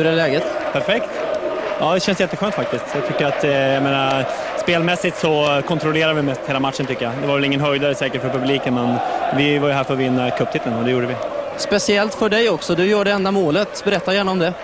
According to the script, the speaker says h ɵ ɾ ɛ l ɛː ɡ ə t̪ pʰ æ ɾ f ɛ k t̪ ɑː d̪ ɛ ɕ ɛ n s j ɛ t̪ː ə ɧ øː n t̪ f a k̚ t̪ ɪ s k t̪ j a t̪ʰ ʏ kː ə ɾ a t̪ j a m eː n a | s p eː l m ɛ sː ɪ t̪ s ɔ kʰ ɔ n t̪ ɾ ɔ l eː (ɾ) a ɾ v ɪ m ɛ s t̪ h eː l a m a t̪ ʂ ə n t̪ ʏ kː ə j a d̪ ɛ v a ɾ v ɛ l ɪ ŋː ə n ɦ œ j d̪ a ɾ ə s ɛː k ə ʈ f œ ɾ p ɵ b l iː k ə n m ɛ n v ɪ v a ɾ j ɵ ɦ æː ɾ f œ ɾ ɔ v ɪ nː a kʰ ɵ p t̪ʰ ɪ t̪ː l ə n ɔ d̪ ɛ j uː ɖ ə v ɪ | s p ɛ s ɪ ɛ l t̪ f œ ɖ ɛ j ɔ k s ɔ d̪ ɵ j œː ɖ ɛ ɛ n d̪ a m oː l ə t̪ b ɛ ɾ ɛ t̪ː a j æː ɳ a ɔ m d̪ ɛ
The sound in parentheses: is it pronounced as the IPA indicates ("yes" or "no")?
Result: yes